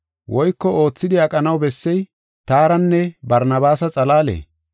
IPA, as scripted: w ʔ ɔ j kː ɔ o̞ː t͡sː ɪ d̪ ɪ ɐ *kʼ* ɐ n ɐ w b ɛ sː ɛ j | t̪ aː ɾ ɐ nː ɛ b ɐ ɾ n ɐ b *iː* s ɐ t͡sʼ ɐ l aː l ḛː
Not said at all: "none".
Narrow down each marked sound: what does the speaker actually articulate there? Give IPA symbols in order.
kʼ, aː

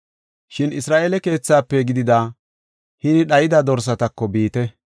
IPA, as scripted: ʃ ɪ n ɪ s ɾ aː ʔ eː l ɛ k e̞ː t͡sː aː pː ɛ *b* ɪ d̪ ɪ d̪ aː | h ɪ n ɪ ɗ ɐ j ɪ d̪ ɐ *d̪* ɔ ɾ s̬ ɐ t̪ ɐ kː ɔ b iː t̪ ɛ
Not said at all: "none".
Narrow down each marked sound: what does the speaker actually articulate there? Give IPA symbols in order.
ɡ, d̪

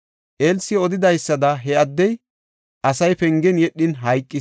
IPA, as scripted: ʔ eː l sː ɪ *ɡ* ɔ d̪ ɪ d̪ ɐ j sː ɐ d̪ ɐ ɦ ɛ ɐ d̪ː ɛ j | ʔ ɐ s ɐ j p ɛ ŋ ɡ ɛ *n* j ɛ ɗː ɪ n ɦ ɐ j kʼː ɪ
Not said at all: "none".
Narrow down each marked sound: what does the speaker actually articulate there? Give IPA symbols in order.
none, n

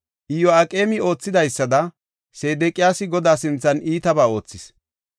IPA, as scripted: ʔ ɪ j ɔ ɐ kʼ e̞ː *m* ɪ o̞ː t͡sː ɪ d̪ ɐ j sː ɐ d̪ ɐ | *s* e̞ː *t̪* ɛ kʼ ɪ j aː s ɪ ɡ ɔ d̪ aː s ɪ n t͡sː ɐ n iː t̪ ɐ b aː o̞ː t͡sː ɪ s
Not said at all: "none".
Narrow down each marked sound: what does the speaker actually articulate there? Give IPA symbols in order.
m, s, d̪

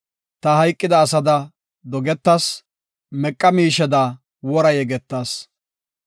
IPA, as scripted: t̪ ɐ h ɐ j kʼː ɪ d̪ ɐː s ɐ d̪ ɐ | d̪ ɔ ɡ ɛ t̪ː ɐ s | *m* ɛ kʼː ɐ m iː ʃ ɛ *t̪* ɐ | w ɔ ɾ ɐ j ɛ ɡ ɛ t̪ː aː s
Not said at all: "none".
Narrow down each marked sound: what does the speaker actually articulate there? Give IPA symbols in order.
m, d̪

